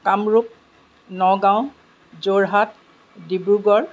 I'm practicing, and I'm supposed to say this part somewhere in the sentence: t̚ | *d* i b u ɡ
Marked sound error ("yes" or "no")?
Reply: no